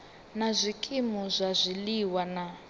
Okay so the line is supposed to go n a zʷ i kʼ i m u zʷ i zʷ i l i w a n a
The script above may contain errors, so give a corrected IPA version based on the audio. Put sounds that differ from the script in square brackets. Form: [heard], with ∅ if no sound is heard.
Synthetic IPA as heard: n a zʷ i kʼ i m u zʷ [a] zʷ i l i w a n a